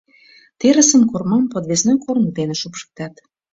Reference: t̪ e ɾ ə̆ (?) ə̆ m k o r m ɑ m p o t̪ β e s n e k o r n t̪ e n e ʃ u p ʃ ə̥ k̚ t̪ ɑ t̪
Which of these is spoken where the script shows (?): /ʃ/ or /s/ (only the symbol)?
s